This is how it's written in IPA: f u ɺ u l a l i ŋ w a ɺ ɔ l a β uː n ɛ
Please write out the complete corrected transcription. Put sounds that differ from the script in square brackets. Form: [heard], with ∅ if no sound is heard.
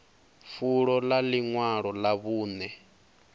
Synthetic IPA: f u ɺ [ɔ] l a l i ŋ w a ɺ ɔ l a β uː n ɛ